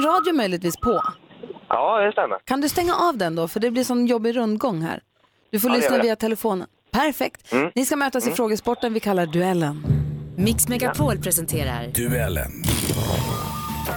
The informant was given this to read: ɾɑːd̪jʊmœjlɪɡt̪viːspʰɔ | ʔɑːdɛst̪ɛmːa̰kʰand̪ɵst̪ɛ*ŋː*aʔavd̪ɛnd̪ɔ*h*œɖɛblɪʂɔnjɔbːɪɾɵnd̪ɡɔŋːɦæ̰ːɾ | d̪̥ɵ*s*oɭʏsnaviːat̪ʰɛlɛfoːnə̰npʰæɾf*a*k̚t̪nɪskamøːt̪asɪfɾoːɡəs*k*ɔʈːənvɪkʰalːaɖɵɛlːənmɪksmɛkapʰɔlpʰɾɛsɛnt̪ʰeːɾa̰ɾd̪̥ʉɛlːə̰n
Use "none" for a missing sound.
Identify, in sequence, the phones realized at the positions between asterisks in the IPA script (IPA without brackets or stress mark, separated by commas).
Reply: ŋː, f, f, ɛ, p